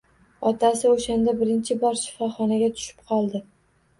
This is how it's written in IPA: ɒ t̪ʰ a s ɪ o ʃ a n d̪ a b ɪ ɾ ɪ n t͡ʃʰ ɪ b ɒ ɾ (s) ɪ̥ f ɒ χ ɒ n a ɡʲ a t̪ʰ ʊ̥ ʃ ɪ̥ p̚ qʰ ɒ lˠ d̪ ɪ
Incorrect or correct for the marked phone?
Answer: incorrect: ʃ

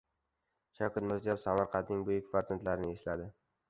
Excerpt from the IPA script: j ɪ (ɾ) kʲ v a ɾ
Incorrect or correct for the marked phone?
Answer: incorrect: none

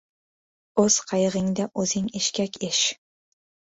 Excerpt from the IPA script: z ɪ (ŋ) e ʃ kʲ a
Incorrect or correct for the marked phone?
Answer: correct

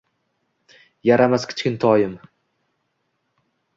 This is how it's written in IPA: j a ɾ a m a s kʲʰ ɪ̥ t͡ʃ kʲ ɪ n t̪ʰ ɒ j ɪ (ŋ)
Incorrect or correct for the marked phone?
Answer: incorrect: m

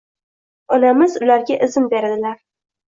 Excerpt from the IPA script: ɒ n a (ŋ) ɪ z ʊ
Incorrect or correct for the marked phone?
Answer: incorrect: m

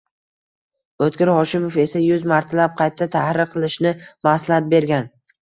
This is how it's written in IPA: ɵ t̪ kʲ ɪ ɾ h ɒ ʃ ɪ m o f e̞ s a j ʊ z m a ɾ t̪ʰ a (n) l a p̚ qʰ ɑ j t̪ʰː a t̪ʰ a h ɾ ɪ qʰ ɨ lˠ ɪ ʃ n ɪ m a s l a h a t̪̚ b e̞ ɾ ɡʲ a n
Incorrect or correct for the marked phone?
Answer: incorrect: none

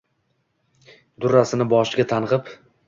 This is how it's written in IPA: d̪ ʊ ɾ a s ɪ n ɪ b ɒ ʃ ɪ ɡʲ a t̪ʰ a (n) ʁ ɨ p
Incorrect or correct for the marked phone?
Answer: correct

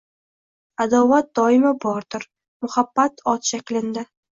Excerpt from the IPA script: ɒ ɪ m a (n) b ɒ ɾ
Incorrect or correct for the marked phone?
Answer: incorrect: none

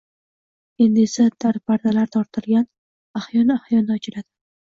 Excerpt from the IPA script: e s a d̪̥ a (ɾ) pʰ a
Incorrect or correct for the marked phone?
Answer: correct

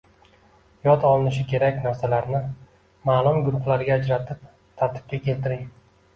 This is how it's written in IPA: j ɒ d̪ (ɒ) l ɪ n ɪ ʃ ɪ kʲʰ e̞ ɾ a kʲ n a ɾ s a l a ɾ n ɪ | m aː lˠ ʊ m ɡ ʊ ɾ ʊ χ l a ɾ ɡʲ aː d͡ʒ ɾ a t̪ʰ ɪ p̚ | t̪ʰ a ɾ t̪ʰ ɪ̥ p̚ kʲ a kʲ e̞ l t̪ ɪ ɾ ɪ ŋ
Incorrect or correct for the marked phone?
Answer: correct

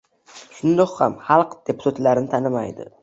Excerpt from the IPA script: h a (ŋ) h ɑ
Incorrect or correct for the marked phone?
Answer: incorrect: m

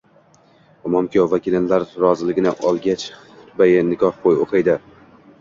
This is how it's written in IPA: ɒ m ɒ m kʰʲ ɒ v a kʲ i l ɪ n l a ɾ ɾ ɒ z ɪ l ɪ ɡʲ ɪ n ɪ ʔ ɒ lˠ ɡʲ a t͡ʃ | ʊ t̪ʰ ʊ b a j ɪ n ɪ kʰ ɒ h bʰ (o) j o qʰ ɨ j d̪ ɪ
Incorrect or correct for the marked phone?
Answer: correct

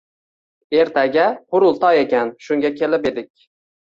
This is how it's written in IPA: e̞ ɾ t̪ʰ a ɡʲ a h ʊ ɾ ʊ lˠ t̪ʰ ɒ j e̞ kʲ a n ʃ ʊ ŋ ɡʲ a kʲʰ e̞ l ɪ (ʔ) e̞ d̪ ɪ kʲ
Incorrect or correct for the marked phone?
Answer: incorrect: p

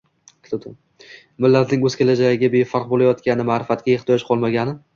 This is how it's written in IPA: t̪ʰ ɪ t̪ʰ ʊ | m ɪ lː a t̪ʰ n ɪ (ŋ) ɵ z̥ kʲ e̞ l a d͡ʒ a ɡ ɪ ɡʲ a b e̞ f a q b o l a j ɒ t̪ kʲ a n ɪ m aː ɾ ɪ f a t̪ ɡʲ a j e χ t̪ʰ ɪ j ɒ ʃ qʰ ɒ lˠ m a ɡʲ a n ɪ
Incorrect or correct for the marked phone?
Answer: correct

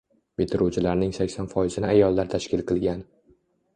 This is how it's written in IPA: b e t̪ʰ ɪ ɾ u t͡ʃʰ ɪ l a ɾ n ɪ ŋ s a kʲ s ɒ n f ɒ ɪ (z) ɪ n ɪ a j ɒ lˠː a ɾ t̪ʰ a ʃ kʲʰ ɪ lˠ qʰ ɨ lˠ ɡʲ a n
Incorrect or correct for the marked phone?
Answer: correct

